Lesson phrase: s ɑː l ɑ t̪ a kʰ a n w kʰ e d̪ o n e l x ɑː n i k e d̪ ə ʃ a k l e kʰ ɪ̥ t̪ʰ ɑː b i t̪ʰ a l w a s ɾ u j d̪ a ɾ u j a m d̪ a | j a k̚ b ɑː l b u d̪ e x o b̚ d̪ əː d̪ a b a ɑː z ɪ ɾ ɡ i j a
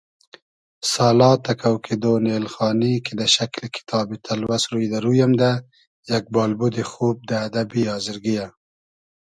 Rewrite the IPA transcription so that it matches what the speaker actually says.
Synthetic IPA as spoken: s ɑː l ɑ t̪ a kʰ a w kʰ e d̪ o n e l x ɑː n i k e d̪ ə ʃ a k l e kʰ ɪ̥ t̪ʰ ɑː b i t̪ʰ a l w a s ɾ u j d̪ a ɾ u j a m d̪ a | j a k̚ b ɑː l b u d̪ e x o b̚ d̪ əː d̪ a b i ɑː z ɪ ɾ ɡ i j a